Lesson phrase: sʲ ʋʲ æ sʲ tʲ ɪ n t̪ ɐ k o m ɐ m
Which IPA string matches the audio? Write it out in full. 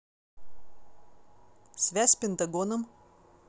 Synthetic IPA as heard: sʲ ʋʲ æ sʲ pʲ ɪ n t̪ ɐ ɡ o n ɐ m